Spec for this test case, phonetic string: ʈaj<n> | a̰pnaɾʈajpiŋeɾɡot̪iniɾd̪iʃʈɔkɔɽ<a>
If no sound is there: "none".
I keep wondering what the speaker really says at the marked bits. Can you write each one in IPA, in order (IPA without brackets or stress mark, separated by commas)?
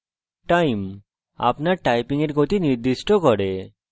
m, e